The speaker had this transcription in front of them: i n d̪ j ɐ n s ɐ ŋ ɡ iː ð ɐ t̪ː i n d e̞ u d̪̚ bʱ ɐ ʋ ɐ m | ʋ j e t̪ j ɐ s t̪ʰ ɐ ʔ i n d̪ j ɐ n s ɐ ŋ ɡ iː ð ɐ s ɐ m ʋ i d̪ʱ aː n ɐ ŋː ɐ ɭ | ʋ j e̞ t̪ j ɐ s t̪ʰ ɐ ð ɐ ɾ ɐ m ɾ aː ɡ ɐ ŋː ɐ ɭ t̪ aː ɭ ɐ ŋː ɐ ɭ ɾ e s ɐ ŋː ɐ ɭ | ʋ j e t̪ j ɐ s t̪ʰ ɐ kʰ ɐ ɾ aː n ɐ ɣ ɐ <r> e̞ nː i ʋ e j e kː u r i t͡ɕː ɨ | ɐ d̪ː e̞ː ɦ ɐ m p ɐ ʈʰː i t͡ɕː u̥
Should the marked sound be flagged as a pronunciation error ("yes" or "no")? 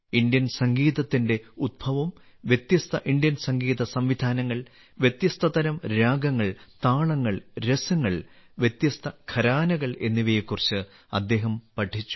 yes